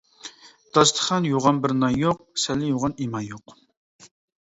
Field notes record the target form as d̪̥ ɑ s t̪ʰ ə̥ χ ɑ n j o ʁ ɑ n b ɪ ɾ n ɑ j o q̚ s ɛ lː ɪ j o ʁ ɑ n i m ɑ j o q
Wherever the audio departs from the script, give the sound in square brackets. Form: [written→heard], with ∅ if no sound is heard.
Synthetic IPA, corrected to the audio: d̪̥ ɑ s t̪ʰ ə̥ χ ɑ n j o ʁ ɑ n b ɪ ɾ n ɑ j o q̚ s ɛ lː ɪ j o ʁ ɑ n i m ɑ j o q